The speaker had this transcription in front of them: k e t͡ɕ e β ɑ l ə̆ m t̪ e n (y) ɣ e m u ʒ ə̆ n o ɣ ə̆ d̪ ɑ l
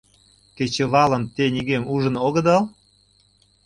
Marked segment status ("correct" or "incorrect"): incorrect